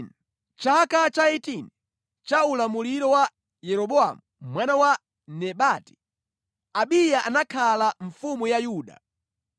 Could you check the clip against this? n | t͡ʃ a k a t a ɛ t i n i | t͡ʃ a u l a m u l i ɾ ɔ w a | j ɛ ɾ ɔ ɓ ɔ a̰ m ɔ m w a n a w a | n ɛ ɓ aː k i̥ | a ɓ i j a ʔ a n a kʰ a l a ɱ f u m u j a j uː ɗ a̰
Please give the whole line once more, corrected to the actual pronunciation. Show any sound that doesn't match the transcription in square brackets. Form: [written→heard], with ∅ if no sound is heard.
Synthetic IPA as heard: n | t͡ʃ a k a [t→t͡ʃ] a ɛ t i n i | t͡ʃ a u l a m u l i ɾ ɔ w a | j ɛ ɾ ɔ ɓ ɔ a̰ m [ɔ→u] m w a n a w a | n ɛ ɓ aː [k→t] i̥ | a ɓ i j a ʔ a n a kʰ a l a ɱ f u m u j a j uː ɗ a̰